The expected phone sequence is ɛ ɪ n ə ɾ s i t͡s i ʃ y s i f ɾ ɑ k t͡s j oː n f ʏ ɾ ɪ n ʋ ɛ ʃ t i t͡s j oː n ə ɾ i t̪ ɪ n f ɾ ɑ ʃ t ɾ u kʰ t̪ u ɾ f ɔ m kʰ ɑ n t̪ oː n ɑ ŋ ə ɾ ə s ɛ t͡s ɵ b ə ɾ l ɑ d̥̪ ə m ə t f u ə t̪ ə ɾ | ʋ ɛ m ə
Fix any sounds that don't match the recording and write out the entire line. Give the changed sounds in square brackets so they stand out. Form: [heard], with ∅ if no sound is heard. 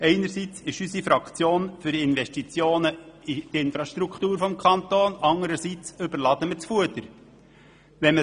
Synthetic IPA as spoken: ɛ ɪ n ə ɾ s i t͡s [ɪ] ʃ y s i f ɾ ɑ k t͡s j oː n f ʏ ɾ ɪ n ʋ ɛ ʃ t i t͡s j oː n ə [∅] i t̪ ɪ n f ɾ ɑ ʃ t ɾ u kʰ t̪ [uː] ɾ f ɔ m kʰ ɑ n t̪ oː n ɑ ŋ ə ɾ ə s [i] t͡s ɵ b ə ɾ l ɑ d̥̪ ə m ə [t͡s] f u ə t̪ ə ɾ | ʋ ɛ m ə